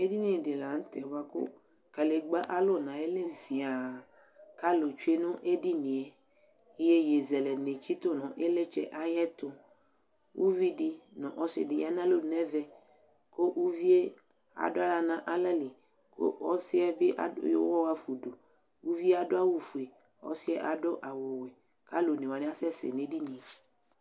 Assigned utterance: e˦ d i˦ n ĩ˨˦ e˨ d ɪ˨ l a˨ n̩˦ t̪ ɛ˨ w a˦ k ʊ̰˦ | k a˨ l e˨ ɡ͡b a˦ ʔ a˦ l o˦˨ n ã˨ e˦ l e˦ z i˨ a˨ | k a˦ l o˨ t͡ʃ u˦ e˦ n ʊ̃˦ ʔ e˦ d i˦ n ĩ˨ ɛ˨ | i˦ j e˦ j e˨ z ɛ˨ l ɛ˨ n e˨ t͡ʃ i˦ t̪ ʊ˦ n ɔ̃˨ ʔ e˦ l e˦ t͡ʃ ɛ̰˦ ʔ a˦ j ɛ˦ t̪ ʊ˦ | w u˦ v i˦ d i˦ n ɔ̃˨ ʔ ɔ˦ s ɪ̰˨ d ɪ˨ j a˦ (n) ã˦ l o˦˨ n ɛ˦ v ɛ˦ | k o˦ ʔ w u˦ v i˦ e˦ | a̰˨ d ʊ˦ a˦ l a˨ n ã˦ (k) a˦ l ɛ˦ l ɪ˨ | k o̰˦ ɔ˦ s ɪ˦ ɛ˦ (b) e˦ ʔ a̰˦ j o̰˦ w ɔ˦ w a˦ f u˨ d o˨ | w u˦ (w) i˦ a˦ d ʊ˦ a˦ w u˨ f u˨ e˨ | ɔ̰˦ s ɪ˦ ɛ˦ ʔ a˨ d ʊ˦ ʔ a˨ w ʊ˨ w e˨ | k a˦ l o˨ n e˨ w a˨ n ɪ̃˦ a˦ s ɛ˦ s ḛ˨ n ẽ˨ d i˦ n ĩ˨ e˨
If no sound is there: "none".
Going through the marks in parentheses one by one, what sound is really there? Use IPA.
n, ʔ, b, v

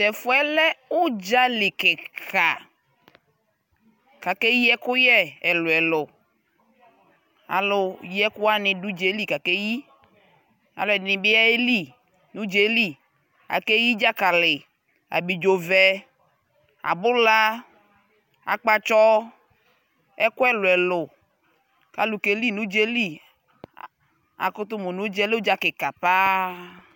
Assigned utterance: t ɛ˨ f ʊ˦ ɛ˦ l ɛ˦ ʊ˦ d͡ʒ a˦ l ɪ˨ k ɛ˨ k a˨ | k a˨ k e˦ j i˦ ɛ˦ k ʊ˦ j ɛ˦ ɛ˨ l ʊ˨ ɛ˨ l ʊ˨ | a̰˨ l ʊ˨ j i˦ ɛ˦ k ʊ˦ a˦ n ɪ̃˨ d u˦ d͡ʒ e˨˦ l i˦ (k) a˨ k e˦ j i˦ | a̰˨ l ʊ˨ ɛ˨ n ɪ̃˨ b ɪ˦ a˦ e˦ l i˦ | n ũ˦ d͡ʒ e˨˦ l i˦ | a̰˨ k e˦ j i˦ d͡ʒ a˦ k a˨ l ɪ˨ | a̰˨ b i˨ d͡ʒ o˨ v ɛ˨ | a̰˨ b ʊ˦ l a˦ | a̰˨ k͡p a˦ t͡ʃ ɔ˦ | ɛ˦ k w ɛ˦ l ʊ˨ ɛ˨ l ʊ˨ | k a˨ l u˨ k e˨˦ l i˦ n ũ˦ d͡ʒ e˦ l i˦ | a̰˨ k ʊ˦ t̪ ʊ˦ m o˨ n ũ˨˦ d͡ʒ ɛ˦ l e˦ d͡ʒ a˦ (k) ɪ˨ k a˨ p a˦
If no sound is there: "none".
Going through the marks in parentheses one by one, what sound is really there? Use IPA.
k, k

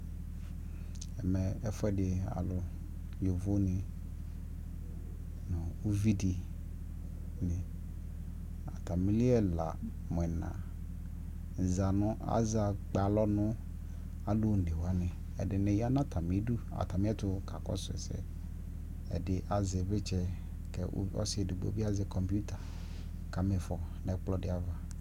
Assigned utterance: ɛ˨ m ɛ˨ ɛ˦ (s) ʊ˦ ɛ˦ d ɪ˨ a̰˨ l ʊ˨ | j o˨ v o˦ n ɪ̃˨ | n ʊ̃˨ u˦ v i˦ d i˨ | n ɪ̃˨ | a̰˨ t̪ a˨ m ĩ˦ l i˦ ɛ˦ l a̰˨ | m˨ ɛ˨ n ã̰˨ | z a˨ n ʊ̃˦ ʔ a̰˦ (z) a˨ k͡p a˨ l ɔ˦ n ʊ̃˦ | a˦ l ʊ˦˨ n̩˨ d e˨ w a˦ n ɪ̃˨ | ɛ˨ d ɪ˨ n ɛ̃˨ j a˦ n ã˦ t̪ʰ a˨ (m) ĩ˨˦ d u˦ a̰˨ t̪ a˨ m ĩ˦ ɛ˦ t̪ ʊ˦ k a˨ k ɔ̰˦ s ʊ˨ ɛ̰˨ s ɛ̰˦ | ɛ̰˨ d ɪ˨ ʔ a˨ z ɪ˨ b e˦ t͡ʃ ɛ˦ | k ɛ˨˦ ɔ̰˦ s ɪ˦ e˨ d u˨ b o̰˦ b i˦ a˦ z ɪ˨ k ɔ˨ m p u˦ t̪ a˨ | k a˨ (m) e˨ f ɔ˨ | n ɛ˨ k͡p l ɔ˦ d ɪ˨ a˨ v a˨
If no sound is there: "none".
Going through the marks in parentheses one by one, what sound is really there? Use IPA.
f, z, m, m

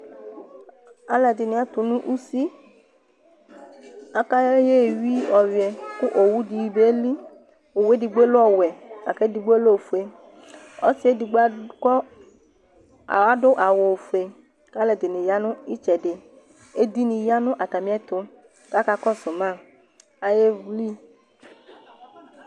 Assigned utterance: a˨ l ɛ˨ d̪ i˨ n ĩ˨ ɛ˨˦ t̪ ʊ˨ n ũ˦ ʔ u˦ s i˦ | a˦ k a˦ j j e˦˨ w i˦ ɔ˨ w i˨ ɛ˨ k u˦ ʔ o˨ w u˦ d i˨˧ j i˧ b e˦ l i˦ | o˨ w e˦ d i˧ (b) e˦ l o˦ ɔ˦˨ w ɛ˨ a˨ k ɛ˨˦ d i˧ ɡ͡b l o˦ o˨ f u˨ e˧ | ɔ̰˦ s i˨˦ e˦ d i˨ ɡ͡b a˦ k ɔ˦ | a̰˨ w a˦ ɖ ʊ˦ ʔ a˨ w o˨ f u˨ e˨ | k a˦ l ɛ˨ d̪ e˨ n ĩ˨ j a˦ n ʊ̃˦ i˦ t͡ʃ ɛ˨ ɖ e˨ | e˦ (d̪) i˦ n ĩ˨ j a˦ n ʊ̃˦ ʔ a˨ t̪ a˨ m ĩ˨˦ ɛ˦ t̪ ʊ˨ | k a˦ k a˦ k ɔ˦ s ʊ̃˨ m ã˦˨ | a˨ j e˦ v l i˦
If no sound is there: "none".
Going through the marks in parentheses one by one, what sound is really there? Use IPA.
ɡ͡b, d̪

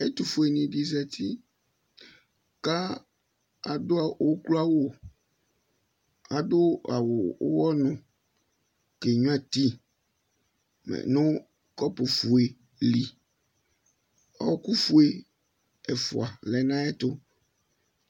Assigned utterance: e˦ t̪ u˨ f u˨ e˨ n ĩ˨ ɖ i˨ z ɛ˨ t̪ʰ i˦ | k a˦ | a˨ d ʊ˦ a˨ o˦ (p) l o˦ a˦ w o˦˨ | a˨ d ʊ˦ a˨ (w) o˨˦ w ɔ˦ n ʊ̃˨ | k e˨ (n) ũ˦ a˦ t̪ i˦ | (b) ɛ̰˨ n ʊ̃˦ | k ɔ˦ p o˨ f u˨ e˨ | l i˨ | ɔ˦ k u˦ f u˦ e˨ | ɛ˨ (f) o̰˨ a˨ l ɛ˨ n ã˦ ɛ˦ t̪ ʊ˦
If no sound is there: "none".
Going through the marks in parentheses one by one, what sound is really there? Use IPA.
k, w, ɲ, m, f

